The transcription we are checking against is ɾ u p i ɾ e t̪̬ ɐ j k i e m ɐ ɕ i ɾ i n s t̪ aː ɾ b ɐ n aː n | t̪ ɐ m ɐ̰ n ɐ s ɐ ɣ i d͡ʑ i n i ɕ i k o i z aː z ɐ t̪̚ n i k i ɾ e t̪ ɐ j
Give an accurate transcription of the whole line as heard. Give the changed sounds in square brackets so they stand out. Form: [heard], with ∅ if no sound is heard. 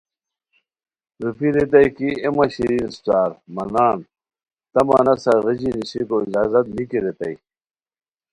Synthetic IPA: ɾ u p i ɾ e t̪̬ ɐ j k i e m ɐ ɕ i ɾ i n s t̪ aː ɾ [m] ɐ n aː n | t̪ ɐ m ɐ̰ n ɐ s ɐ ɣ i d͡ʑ i n i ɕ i k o i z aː z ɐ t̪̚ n i k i ɾ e t̪ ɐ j